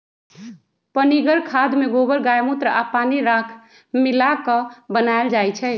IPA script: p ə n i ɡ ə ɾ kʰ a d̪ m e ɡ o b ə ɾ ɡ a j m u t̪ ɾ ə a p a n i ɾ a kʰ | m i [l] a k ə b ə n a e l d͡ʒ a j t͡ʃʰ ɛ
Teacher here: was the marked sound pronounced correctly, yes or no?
yes